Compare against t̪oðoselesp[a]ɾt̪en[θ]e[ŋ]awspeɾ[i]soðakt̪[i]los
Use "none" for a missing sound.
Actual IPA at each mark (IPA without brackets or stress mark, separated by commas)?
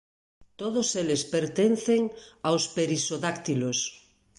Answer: e, θ, ŋ, i, i